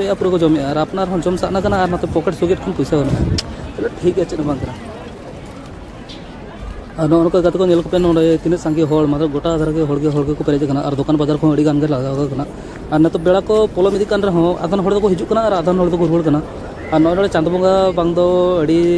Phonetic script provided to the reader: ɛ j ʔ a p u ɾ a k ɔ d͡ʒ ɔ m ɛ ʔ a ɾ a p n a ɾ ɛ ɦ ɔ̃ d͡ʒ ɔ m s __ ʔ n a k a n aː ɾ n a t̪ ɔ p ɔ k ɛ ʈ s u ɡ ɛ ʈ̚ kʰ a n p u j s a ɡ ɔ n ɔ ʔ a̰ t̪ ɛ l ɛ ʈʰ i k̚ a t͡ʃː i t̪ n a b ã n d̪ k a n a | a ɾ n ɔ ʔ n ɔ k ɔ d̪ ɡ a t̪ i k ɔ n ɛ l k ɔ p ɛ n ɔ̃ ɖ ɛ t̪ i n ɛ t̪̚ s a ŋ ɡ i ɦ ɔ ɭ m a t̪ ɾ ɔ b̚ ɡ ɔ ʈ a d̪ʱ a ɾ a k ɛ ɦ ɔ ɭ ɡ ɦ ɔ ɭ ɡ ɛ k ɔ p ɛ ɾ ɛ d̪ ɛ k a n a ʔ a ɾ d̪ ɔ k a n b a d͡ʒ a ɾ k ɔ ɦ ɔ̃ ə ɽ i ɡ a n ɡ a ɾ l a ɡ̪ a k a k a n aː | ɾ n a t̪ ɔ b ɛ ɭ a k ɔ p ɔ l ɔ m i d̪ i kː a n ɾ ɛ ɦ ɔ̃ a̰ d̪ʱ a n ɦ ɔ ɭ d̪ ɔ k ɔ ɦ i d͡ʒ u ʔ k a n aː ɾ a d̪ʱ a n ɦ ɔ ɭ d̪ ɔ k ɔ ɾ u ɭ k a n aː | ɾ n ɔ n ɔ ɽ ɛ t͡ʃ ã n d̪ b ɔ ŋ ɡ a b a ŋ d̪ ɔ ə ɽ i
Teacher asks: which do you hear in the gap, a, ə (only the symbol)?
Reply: a